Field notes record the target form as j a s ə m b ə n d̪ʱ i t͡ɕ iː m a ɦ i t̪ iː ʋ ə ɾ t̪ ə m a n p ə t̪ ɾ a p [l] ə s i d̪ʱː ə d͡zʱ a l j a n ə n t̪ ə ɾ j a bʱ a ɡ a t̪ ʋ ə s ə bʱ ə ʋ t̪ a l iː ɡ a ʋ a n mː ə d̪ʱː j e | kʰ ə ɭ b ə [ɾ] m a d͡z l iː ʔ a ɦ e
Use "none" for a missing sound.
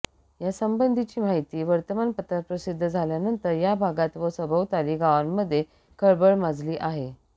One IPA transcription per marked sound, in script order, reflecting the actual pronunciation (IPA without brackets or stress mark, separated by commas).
ɾ, ɭ